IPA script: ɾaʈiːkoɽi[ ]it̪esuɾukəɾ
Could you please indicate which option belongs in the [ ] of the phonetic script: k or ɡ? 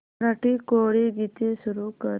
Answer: ɡ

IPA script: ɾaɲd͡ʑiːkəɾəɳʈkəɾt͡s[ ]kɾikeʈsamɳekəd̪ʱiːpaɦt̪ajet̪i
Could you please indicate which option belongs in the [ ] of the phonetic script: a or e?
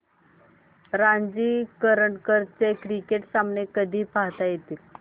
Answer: e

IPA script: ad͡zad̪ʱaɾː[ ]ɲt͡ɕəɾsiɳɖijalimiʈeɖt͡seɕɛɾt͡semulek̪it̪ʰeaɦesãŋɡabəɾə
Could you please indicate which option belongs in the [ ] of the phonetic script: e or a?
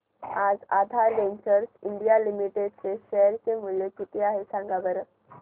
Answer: e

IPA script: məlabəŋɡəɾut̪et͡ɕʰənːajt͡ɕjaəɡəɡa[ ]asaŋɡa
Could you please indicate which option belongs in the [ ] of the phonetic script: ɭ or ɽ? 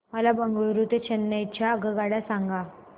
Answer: ɽ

